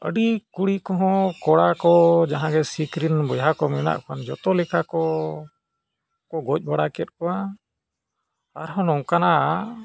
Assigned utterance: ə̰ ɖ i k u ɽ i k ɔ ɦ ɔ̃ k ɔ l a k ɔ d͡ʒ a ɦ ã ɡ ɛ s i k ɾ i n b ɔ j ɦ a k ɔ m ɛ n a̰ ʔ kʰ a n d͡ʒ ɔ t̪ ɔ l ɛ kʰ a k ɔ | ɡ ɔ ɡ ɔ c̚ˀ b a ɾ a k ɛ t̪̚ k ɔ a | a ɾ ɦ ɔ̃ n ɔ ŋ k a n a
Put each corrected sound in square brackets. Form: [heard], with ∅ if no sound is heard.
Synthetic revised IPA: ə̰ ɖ i k u ɽ i k ɔ ɦ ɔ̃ k ɔ [ɽ] a k ɔ d͡ʒ a ɦ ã ɡ ɛ s i k ɾ i n b ɔ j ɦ a k ɔ m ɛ n a̰ ʔ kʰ a n d͡ʒ ɔ t̪ ɔ l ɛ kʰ a k ɔ | [k] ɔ ɡ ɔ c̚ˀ b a [ɽ] a k ɛ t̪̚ k ɔ a | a ɾ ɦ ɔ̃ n ɔ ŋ k a n a